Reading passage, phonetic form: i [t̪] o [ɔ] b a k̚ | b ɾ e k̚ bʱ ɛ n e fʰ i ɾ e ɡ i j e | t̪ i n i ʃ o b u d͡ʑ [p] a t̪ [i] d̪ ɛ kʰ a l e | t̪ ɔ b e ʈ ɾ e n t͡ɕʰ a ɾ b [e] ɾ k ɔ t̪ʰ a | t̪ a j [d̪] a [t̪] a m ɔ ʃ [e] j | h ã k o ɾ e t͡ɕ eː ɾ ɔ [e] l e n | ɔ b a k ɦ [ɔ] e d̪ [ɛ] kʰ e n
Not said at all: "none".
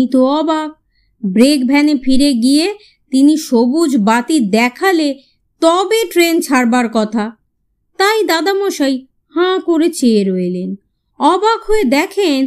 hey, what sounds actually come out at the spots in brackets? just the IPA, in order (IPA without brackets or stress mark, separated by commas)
t̪, ɔ, b, i, a, d̪, d̪, a, e, o, ɛ